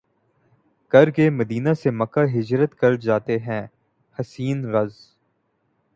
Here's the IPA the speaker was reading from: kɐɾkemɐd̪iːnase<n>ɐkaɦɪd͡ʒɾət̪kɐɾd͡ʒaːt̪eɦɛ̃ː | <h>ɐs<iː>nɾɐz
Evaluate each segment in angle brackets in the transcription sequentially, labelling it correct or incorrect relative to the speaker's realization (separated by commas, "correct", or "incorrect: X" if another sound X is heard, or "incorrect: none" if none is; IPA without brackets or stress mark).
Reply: incorrect: m, correct, correct